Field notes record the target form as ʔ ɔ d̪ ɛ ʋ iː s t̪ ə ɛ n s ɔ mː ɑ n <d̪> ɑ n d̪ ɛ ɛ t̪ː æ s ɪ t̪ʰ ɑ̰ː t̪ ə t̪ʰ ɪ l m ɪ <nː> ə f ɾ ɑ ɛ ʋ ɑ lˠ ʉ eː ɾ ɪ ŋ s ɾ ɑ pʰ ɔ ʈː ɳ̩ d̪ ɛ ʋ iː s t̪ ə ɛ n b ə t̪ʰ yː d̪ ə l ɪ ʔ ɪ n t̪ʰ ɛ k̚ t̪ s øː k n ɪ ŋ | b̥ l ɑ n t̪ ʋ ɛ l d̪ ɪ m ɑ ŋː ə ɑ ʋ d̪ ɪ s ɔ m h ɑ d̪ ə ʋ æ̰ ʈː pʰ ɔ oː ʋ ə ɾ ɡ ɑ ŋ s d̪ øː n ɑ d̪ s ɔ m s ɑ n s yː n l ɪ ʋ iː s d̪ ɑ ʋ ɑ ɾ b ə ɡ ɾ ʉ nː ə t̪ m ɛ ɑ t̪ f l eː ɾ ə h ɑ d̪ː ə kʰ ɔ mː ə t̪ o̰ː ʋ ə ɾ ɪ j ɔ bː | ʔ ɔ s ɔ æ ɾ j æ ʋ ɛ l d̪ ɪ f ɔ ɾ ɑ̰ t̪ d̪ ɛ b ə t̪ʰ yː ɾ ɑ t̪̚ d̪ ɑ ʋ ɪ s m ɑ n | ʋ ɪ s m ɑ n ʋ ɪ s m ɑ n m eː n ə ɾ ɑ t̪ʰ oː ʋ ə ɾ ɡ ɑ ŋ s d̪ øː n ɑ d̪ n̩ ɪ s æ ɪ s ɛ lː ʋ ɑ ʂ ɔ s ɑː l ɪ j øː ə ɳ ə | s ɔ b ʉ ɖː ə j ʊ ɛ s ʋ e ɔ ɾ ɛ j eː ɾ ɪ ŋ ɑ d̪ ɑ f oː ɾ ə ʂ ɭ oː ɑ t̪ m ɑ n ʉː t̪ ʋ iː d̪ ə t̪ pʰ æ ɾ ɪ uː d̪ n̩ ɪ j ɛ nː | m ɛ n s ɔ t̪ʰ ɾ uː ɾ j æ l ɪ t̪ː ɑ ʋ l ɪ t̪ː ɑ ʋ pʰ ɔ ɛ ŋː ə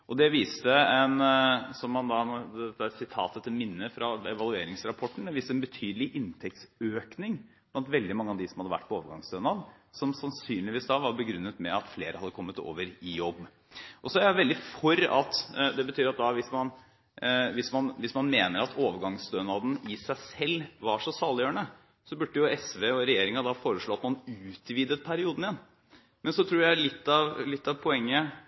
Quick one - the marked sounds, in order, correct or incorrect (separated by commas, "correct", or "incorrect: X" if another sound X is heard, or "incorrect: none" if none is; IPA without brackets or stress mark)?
correct, correct